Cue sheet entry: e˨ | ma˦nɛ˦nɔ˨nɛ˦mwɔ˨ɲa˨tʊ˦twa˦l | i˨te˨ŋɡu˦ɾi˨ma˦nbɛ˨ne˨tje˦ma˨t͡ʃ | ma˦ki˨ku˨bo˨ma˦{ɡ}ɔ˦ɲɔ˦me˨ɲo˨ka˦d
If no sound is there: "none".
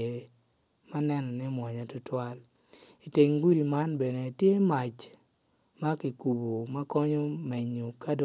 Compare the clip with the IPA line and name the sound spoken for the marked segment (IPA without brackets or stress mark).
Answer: k